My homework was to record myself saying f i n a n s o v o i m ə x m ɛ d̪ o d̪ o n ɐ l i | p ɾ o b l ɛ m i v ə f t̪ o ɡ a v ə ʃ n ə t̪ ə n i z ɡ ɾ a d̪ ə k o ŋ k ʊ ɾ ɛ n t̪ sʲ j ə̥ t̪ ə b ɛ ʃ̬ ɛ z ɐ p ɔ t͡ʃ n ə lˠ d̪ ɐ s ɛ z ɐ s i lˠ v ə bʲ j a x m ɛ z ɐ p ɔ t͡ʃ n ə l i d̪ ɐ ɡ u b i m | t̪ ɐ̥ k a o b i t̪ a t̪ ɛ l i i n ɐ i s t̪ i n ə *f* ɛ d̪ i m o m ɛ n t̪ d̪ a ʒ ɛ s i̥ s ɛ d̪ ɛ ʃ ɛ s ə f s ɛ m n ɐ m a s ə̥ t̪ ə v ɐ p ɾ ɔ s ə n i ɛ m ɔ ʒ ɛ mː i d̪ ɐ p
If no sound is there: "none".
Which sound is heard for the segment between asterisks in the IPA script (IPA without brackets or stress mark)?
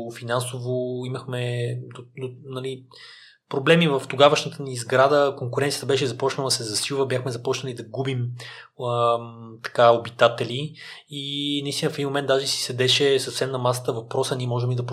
f